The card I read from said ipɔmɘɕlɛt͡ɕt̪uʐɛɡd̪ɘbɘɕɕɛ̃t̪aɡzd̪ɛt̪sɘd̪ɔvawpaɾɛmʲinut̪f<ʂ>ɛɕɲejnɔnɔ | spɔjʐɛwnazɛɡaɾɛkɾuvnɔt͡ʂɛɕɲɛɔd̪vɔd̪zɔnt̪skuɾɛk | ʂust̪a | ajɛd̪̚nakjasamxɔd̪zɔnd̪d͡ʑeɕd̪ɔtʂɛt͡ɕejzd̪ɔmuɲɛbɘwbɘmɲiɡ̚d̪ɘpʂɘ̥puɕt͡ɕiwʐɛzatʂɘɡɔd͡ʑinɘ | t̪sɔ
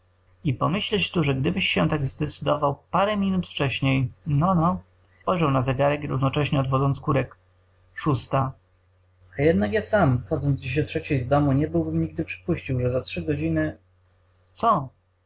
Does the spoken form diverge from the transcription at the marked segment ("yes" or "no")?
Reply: yes